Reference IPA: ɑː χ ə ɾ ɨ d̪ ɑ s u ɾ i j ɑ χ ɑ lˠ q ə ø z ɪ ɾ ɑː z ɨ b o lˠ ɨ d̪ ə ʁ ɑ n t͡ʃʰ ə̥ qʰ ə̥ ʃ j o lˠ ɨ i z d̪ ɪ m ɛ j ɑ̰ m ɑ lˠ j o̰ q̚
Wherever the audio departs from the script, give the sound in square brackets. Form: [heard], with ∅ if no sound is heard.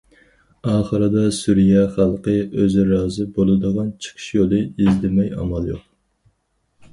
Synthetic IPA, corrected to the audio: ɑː χ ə ɾ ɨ d̪ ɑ s u ɾ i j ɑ χ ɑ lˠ q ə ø z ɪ ɾ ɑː z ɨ b o lˠ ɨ d̪ ə ʁ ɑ n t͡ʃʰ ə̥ qʰ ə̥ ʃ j o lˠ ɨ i z d̪ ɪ m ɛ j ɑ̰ m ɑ lˠ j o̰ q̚